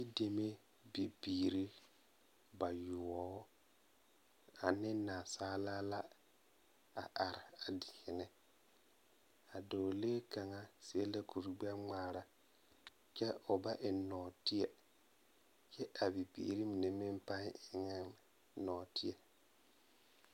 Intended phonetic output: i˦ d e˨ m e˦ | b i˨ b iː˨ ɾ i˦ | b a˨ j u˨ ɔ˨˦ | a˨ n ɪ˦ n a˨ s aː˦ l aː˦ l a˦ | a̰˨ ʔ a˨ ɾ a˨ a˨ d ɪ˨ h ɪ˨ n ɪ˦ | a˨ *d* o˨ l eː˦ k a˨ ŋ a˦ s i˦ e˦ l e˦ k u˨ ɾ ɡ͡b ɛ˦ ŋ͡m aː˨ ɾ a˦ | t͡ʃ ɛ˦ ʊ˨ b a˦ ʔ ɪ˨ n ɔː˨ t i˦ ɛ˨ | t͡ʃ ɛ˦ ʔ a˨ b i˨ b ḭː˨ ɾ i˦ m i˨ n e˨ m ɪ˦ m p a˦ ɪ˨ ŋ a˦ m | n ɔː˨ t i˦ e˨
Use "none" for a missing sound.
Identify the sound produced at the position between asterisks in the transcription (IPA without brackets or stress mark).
d